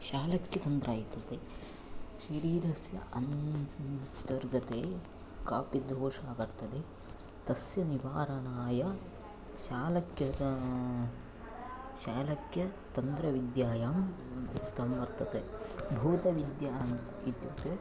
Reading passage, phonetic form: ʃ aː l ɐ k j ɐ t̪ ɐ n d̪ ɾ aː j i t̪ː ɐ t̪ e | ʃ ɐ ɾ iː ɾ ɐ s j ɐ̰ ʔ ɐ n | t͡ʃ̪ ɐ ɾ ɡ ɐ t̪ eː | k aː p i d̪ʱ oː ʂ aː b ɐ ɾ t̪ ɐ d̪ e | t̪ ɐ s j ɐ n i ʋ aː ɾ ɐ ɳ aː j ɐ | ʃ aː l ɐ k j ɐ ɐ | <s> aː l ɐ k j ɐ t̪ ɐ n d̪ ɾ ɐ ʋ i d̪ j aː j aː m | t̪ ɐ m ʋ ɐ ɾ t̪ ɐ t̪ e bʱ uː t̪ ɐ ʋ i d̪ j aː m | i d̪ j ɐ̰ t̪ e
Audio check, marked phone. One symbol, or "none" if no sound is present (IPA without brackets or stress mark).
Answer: ʃ